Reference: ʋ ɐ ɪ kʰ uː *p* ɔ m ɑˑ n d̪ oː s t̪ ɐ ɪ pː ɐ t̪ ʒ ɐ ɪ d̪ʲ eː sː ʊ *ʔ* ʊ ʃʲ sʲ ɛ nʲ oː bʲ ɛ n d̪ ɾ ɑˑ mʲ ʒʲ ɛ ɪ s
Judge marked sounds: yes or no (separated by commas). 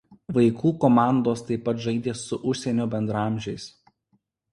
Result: no, yes